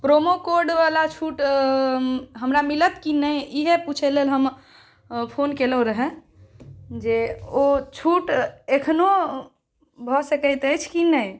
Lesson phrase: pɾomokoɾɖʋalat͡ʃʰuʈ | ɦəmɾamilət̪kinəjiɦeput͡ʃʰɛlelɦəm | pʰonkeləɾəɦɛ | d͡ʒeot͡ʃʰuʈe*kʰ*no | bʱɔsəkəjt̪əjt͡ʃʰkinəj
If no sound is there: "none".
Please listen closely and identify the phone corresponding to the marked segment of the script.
kʰ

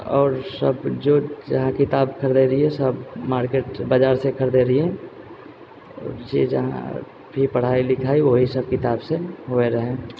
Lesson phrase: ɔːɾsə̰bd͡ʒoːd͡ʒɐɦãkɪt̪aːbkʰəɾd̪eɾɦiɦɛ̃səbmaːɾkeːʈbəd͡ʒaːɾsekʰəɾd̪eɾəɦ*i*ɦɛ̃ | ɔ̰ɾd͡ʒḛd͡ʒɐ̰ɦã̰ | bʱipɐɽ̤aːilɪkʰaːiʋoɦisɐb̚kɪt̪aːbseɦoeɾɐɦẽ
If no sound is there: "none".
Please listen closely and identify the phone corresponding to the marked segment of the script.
i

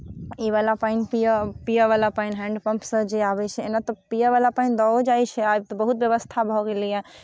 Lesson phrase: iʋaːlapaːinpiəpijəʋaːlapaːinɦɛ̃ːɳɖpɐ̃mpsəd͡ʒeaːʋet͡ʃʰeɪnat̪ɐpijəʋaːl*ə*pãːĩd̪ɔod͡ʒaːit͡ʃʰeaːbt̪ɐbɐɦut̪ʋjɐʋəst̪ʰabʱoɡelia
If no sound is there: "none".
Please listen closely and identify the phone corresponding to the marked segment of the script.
a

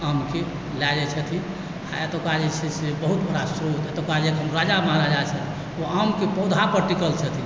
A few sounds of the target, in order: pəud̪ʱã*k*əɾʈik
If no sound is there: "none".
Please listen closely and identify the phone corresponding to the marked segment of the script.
p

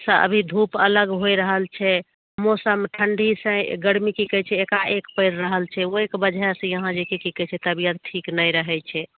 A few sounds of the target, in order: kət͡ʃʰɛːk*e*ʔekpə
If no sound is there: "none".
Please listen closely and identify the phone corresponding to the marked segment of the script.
a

